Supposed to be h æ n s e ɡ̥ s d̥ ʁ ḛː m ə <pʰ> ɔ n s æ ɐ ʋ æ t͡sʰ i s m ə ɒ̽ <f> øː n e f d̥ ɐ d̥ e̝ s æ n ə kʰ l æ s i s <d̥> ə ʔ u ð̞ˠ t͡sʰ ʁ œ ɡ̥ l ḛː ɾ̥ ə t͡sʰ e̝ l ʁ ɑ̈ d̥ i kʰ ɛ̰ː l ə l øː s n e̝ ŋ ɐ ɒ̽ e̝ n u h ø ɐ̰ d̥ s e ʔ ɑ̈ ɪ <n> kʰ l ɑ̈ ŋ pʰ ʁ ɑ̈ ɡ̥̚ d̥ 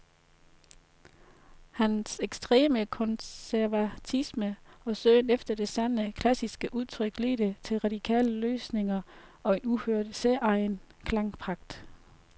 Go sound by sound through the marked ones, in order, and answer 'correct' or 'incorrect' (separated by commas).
incorrect, incorrect, incorrect, correct